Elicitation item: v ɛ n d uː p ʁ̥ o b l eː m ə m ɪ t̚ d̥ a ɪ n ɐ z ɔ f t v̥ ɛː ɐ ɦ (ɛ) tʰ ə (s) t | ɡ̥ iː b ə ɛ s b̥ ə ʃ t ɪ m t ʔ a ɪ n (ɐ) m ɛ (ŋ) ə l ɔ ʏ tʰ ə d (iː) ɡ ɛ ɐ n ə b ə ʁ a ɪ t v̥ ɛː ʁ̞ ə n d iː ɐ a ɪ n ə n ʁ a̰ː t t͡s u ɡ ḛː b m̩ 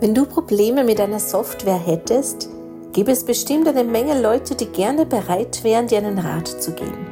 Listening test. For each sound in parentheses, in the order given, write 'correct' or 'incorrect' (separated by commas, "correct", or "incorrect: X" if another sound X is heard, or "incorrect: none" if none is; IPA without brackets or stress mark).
correct, correct, incorrect: ə, correct, correct